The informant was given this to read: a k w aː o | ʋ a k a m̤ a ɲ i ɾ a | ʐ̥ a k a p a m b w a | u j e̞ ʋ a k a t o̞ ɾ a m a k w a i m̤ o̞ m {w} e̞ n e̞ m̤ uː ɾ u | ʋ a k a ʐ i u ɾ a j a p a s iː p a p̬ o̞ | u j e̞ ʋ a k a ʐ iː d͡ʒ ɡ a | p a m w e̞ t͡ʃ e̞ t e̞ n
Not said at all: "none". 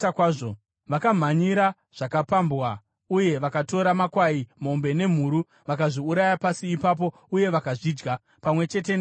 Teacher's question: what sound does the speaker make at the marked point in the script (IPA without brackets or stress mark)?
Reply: b